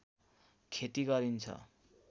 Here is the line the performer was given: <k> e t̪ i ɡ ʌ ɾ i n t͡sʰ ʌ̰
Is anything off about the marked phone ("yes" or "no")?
yes